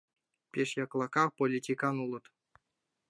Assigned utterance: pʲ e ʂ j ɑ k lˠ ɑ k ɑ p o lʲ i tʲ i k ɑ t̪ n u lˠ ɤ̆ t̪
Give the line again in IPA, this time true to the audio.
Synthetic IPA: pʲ e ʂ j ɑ k lˠ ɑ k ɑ p o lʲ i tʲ i k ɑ n u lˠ ɤ̆ t̪

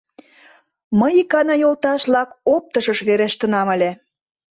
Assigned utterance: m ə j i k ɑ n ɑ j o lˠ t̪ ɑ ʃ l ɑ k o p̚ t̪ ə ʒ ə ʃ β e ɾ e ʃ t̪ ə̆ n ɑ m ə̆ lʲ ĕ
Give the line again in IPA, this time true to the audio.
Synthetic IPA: m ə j i k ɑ n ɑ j o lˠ t̪ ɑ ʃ l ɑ k o p̚ t̪ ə ʃ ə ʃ β e ɾ e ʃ t̪ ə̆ n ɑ m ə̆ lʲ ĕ

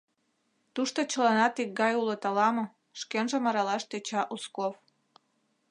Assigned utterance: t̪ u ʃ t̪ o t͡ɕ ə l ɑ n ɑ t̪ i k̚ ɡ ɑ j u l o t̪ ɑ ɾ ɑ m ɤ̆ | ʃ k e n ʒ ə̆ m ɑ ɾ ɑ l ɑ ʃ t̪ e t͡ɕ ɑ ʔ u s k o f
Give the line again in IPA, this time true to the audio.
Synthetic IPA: t̪ u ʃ t̪ o t͡ɕ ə l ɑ n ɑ t̪ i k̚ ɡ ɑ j u l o t̪ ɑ l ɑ m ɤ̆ | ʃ k e n ʒ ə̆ m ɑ ɾ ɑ l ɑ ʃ t̪ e t͡ɕ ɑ ʔ u s k o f

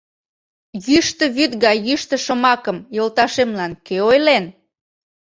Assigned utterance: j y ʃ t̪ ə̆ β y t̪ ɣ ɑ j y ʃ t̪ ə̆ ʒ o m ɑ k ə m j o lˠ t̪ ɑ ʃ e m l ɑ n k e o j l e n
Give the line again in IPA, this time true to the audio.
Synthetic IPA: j y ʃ t̪ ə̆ β y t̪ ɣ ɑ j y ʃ t̪ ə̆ ʃ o m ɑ k ə m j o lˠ t̪ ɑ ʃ e m l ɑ n k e o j l e n

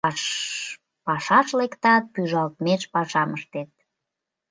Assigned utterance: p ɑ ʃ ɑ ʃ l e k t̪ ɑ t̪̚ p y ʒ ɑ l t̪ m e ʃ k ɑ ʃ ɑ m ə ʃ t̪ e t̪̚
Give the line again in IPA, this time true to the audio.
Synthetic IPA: p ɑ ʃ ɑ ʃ l e k t̪ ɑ t̪̚ p y ʒ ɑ l t̪ m e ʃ p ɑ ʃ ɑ m ə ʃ t̪ e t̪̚

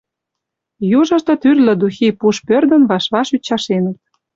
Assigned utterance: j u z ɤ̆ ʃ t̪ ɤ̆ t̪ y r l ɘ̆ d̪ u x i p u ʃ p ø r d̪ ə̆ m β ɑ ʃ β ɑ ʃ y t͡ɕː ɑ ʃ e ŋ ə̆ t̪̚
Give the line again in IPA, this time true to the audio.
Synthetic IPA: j u ʒ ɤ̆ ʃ t̪ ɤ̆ t̪ y r l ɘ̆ d̪ u x i p u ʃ p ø r d̪ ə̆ n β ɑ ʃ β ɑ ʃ y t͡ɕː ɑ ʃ e n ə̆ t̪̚

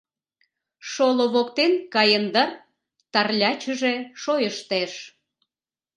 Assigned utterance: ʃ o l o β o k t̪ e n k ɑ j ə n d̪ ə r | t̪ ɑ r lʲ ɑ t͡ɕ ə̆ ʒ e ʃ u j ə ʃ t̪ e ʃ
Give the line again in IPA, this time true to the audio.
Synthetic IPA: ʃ o l o β o k t̪ e n k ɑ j ə n d̪ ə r | t̪ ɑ r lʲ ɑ t͡ɕ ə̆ ʒ e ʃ o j ə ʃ t̪ e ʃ

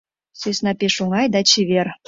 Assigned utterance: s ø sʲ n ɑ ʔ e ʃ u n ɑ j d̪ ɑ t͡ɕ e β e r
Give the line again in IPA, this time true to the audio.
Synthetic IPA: s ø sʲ n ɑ p e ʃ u ŋ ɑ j d̪ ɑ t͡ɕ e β e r

